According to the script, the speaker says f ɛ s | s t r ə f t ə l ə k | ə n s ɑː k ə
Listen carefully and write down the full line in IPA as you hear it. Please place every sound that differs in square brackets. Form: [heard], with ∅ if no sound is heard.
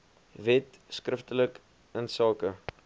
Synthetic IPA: [v] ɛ [t] | s [k] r ə f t ə l ə k | ə n s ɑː k ə